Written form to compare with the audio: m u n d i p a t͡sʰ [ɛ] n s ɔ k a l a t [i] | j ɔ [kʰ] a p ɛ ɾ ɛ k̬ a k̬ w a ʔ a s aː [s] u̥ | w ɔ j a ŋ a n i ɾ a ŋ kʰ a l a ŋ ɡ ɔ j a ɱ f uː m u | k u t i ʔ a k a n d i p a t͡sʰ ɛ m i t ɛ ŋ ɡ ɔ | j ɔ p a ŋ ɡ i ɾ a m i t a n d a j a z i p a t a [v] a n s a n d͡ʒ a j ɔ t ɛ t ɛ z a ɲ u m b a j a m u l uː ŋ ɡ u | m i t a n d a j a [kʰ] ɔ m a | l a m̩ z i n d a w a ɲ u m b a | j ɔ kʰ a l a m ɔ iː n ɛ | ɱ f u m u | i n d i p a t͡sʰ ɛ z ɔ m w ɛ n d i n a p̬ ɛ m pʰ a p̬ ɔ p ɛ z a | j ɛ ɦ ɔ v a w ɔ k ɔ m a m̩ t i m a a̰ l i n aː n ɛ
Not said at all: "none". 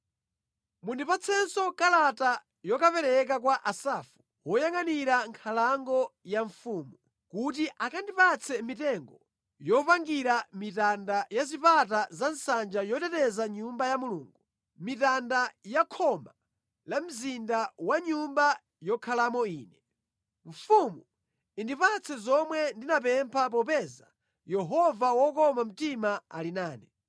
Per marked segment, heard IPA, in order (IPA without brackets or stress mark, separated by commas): ɛ, a, k, f, z, kʰ